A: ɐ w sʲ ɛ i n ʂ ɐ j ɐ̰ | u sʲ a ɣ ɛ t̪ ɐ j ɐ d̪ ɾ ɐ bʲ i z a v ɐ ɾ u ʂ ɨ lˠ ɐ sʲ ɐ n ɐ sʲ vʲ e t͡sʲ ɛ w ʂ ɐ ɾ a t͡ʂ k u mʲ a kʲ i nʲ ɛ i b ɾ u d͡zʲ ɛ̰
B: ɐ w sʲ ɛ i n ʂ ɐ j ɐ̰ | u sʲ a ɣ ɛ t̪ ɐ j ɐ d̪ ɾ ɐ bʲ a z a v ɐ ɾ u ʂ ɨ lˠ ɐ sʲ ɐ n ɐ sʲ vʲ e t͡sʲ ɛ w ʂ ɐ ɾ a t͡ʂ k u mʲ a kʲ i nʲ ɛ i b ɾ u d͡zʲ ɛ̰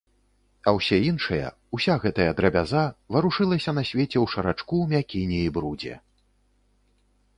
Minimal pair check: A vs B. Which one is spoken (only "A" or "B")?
B